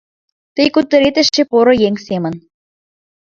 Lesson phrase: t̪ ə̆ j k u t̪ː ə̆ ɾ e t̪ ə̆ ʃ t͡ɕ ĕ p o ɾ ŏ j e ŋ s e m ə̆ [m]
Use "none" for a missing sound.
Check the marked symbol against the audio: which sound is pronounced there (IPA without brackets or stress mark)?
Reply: n